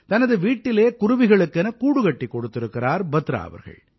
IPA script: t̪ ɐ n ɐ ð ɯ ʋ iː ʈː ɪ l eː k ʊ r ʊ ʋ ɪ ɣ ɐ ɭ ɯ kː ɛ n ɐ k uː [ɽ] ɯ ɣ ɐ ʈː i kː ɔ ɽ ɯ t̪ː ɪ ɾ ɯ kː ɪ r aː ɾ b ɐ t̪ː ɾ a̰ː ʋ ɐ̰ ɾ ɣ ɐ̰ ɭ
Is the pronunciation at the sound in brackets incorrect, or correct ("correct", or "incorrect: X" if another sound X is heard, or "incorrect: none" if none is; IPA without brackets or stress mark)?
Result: correct